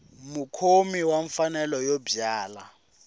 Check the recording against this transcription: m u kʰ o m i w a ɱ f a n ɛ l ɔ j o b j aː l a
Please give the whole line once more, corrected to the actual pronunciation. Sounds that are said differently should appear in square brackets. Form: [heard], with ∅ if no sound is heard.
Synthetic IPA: m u kʰ o m i w a ɱ f a n ɛ l ɔ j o b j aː l a